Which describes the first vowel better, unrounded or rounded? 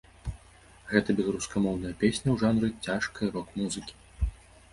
unrounded